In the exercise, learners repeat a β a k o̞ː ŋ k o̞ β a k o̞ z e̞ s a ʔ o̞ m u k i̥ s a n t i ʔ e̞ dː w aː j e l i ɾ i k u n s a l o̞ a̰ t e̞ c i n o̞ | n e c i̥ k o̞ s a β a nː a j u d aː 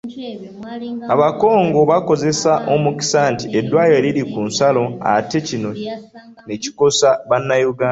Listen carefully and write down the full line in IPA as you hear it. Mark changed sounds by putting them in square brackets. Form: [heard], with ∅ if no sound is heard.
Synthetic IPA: a β a k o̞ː ŋ [ɡ] o̞ β a k o̞ z e̞ s a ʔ o̞ m u k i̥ s a n t i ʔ e̞ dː w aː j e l i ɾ i k u n s a l o̞ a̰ t e̞ c i n o̞ | n e c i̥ k o̞ s a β a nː a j u [ɡ] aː